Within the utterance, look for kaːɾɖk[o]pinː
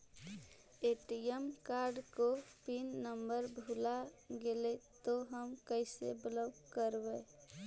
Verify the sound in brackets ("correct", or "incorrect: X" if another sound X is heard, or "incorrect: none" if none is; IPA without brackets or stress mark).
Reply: correct